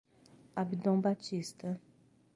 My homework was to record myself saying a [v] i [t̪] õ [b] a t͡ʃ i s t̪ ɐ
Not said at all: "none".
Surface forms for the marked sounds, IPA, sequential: b, d̪, b

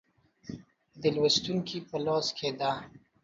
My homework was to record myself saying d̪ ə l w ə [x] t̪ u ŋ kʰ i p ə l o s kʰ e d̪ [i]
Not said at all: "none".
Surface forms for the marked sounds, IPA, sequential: s, a

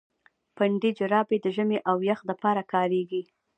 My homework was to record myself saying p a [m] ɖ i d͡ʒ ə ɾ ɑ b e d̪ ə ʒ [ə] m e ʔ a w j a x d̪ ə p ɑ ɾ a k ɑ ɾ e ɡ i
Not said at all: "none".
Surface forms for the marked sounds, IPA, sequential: ɳ, ə

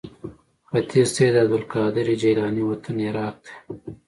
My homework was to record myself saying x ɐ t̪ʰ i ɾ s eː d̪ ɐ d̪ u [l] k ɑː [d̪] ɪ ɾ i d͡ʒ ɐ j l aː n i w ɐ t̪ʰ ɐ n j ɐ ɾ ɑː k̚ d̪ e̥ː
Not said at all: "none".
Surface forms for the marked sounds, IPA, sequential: l, d̪

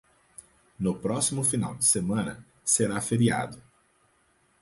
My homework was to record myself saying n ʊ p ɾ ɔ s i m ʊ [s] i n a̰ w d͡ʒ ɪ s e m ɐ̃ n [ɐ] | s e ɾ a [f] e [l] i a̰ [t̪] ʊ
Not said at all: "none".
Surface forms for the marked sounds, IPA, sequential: f, ɐ, f, ɾ, d̪

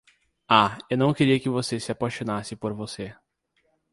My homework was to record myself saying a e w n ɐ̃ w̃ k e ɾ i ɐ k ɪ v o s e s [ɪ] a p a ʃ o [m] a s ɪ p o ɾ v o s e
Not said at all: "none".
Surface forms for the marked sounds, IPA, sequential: ɪ, n

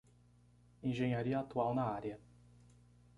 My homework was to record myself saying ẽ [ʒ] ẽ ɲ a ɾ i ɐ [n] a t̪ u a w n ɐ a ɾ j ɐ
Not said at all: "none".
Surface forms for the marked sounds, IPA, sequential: ʒ, none

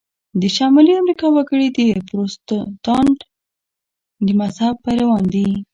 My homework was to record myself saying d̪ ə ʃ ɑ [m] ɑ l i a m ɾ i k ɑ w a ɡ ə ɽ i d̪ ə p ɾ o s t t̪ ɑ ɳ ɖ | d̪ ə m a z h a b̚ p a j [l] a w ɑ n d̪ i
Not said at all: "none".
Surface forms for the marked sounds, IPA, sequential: m, ɾ

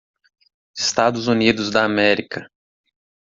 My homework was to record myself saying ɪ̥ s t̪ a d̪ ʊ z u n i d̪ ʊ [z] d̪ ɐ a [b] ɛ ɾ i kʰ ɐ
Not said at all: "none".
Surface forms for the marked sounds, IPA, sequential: z, m

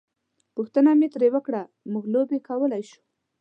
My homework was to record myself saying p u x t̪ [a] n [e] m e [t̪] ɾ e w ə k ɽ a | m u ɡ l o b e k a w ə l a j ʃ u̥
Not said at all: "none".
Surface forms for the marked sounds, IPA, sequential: ə, a, t̪

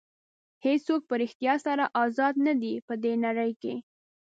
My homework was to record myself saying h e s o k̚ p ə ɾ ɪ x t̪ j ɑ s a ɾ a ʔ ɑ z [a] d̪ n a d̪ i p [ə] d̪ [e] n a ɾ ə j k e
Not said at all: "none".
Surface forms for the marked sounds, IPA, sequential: ɑ, ə, e

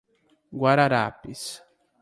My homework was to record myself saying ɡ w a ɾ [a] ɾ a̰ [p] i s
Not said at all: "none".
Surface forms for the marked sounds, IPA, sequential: a, p

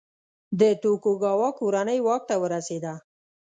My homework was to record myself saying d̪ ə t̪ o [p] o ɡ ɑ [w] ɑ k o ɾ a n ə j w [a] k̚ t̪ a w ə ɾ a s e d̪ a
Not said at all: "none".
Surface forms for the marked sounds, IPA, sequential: k, w, ɑ

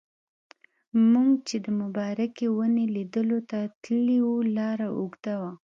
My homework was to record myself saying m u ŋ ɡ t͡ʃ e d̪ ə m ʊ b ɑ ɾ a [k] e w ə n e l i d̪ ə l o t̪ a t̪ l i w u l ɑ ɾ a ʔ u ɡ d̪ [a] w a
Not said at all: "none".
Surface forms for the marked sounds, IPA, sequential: k, a

